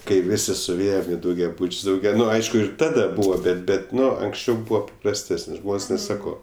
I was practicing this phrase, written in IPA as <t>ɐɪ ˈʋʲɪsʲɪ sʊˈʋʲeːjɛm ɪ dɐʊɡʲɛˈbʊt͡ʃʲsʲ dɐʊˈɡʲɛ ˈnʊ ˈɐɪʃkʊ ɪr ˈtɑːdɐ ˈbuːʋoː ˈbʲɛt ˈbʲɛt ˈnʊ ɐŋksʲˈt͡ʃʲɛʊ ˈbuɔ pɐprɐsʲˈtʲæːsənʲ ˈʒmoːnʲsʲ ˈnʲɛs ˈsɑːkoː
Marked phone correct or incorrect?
incorrect